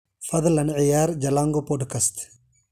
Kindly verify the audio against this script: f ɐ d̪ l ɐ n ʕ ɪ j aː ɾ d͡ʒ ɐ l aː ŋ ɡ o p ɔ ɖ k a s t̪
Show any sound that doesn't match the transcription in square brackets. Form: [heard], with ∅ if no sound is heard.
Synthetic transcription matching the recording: f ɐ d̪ l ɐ n ʕ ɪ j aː ɾ d͡ʒ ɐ l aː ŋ ɡ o p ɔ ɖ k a s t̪